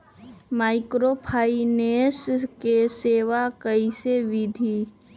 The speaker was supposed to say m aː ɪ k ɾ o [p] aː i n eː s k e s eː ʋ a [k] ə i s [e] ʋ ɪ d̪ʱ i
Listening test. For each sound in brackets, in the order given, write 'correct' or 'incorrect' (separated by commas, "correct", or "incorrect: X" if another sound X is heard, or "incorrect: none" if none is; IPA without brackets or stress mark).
incorrect: pʰ, correct, correct